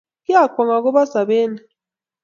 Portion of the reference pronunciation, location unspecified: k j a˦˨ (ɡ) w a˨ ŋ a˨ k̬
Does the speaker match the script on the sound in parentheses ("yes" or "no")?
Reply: no